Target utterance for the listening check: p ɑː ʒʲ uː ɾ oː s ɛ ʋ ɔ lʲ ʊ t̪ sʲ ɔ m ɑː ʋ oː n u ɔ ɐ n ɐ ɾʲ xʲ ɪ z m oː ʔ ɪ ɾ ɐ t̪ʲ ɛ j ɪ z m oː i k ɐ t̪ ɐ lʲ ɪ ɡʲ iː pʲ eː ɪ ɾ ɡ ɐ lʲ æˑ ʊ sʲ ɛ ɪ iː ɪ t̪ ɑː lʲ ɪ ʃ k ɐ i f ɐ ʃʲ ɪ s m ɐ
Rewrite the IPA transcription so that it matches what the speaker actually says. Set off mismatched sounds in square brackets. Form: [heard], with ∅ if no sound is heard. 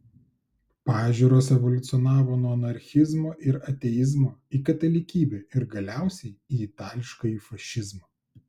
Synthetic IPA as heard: p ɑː ʒʲ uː ɾ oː s ɛ ʋ ɔ lʲ ʊ t̪ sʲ ɔ [n] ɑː ʋ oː n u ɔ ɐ n ɐ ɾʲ xʲ ɪ z m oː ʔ ɪ ɾ ɐ t̪ʲ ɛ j ɪ z m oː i k ɐ t̪ ɐ lʲ ɪ [kʲ] iː [bʲ] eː ɪ ɾ ɡ ɐ lʲ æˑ ʊ sʲ ɛ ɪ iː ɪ t̪ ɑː lʲ ɪ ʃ k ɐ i f ɐ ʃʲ ɪ [z] m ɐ